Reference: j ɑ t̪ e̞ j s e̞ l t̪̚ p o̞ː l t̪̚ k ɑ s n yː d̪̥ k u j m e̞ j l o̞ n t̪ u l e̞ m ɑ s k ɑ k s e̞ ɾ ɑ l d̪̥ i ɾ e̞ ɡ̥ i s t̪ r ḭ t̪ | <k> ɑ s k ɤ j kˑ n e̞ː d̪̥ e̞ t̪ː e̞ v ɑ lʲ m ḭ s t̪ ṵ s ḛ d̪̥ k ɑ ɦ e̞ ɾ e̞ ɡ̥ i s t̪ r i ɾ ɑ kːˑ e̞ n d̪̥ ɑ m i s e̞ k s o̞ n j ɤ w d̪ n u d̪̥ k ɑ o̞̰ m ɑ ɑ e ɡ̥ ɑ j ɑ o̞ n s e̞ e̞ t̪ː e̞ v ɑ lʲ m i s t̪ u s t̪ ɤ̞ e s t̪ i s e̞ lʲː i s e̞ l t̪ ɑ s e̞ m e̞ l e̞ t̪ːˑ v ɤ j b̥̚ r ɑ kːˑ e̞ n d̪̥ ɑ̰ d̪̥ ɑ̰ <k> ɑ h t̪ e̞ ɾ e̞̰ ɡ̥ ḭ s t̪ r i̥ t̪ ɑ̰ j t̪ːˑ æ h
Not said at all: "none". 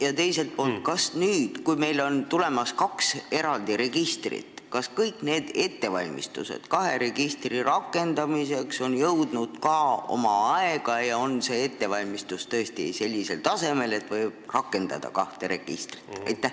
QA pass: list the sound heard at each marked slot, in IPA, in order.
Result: k, k

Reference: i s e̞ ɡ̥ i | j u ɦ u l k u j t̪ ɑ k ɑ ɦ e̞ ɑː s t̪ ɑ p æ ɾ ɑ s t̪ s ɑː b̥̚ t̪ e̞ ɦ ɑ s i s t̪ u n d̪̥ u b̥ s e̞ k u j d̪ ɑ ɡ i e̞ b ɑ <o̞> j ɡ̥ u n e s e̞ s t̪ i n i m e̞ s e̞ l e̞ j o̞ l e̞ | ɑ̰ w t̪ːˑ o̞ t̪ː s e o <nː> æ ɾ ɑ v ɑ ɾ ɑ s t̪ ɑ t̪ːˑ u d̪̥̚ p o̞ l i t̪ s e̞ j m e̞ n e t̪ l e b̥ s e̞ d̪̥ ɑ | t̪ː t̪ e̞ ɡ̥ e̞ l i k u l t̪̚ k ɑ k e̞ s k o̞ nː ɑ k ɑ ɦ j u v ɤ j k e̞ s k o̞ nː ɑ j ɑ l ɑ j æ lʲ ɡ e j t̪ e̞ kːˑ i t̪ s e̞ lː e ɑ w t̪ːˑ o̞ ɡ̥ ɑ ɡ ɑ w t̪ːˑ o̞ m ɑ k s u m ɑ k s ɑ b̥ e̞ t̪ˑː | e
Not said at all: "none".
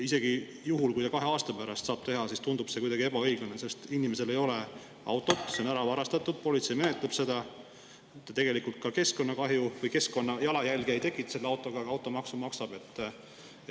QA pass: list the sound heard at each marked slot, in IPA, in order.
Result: ɤ̞, n

